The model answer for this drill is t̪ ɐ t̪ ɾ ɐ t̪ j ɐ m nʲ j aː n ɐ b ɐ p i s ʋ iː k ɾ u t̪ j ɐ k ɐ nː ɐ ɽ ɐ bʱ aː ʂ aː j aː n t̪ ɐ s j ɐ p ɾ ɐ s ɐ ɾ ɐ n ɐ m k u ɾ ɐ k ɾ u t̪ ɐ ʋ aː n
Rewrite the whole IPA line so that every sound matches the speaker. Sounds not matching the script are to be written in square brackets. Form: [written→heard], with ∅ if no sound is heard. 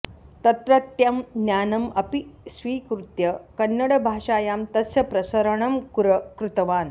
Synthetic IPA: t̪ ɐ t̪ ɾ ɐ t̪ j ɐ m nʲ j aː n ɐ [b→m] ɐ p i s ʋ iː k ɾ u t̪ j ɐ k ɐ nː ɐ ɽ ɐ bʱ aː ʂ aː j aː [n→m] t̪ ɐ s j ɐ p ɾ ɐ s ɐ ɾ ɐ [n→ɳ] ɐ m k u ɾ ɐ k ɾ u t̪ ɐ ʋ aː n